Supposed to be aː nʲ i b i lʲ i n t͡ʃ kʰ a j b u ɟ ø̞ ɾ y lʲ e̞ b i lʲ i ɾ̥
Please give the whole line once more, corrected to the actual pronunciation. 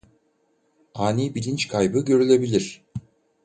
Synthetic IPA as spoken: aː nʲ i b i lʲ i n t͡ʃ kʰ a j b ɯ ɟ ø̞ ɾ y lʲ e̞ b i lʲ i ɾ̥